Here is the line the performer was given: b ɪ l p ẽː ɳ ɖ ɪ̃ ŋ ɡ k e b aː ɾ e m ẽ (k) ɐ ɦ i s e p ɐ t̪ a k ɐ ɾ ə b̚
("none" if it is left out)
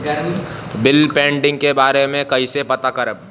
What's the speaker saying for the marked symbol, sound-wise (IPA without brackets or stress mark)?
k